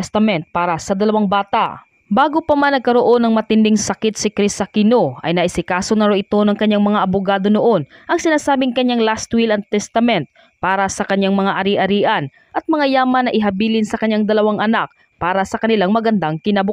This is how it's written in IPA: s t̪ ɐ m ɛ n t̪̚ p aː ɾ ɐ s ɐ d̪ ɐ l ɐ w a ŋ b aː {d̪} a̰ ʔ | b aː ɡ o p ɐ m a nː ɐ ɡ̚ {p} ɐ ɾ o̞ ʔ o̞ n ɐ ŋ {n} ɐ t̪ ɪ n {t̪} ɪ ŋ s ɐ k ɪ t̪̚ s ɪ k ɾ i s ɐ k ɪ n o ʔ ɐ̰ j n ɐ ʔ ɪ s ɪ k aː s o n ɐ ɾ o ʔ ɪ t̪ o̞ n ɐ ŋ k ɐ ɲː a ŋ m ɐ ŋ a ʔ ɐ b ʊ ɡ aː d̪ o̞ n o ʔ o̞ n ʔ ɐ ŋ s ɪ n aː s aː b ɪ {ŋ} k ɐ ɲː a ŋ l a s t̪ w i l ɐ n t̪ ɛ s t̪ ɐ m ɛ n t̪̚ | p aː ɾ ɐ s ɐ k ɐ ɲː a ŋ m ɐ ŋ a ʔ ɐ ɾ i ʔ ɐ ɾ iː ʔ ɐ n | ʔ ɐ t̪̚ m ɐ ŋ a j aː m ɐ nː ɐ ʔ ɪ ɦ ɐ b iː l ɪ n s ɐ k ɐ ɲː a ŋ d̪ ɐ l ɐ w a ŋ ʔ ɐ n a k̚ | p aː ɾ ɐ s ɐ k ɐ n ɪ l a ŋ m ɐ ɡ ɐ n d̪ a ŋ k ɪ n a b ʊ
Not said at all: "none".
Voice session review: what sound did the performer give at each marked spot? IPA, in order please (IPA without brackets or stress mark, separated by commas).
t̪, k, m, d̪, ŋ